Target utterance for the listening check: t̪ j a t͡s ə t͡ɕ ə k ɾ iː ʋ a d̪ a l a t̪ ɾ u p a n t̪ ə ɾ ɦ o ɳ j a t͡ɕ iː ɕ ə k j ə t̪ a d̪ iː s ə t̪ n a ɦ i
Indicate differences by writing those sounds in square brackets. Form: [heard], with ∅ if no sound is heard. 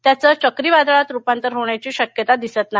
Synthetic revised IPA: t̪ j a t͡s ə t͡ɕ ə k ɾ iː ʋ a d̪ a [ɭ] a t̪ ɾ u p a n t̪ ə ɾ ɦ o ɳ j a t͡ɕ iː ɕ ə k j ə t̪ a d̪ [i] s ə t̪ n a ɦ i

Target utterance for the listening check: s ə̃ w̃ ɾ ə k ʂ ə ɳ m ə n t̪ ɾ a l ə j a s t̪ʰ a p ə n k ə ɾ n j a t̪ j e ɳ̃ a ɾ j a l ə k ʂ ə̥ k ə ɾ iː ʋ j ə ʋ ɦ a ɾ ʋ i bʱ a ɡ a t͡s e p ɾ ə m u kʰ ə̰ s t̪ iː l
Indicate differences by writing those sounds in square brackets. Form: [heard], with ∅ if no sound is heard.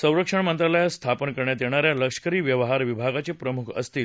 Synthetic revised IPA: s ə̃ w̃ ɾ ə k ʂ ə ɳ m ə n t̪ ɾ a l ə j a s t̪ʰ a p ə n k ə ɾ [ɳ] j a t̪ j e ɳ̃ a ɾ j a l ə k ʂ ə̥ k ə ɾ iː ʋ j ə ʋ ɦ a ɾ ʋ i bʱ a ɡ a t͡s e p ɾ ə m u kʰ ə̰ s t̪ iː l

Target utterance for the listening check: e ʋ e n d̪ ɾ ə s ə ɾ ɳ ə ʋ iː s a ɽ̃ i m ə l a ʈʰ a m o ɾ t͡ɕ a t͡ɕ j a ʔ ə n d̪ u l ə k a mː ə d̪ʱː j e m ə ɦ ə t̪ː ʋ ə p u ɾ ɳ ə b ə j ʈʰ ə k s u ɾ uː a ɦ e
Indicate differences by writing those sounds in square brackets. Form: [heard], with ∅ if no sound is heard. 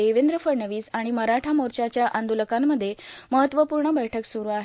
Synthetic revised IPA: e ʋ e n d̪ ɾ ə [f] ə ɾ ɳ ə ʋ iː s a ɽ̃ i m ə [ɾ] a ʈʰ a m o ɾ t͡ɕ a t͡ɕ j a ʔ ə n d̪ u l ə k a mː ə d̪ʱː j e m ə ɦ ə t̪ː ʋ ə p u ɾ ɳ ə b ə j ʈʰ ə k s u ɾ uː a ɦ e

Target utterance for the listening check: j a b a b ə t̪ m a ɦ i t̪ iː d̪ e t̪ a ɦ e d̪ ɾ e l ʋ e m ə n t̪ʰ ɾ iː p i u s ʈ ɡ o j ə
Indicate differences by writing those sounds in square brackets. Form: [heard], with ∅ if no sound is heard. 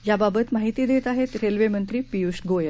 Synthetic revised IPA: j a b a b ə t̪ m a ɦ i t̪ iː d̪ e t̪ a ɦ e [t̪] ɾ e l ʋ e m ə n [t̪] ɾ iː p i u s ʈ ɡ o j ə

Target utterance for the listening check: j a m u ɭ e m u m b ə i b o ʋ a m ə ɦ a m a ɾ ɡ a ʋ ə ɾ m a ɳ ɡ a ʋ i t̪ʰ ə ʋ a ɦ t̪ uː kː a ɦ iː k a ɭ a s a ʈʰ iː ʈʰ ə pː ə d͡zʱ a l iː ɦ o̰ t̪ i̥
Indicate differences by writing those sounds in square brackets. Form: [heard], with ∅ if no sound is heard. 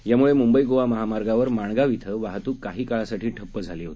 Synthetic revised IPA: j a m u ɭ e m u m b ə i [ɡ] o ʋ a m ə ɦ a m a ɾ ɡ a ʋ ə ɾ m a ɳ ɡ a ʋ i t̪ʰ ə ʋ a ɦ t̪ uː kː a ɦ iː k a ɭ a s a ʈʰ iː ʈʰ ə pː ə d͡zʱ a l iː ɦ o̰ t̪ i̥

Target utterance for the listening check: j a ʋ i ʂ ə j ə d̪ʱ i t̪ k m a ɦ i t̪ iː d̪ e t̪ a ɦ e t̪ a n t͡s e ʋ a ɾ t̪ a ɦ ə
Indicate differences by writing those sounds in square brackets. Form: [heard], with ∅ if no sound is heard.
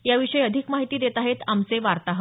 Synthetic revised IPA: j a ʋ i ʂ ə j ə d̪ʱ i [∅] k m a ɦ i t̪ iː d̪ e t̪ a ɦ e t̪ a [m] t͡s e ʋ a ɾ t̪ a ɦ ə

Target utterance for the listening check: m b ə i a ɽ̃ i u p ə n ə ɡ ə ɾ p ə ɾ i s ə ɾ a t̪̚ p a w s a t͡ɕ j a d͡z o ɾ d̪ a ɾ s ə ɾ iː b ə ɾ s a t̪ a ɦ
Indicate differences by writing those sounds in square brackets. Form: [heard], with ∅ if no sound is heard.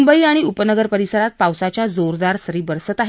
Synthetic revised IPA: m b ə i a ɽ̃ i u p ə n ə ɡ ə ɾ p ə ɾ i s ə ɾ a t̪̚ p a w s a t͡ɕ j a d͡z o ɾ d̪ a ɾ s ə ɾ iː b ə ɾ s [ə] t̪ a ɦ

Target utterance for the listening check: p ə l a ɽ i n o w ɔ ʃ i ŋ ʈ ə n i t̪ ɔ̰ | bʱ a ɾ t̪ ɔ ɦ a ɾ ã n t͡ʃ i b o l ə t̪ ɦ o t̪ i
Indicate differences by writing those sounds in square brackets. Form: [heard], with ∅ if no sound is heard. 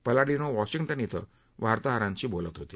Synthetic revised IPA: p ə l a ɽ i n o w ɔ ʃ i ŋ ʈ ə n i t̪ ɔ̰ | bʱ a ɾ t̪ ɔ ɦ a ɾ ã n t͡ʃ i b o l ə t̪ ɦ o t̪ i

